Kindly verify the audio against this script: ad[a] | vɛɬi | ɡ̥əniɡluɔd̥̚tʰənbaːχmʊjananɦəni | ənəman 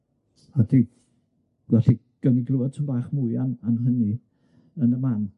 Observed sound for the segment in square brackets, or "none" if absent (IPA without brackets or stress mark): i